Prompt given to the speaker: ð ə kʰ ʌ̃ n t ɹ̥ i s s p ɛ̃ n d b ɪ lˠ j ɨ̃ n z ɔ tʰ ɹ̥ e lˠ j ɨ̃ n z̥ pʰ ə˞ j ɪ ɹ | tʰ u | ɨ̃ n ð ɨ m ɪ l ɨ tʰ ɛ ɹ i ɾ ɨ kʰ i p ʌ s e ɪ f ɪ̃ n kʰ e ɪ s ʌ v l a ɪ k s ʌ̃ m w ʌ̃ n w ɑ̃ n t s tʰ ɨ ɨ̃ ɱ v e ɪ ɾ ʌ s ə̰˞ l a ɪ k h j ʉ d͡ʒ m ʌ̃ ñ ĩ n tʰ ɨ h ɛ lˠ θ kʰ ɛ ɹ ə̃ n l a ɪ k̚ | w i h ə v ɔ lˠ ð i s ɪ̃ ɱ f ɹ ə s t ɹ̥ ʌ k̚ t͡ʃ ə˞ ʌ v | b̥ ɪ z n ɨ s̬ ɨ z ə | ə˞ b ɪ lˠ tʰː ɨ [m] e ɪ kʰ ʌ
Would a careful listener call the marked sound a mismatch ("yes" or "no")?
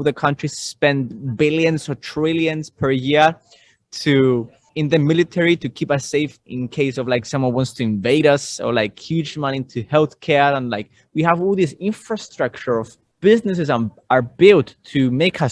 no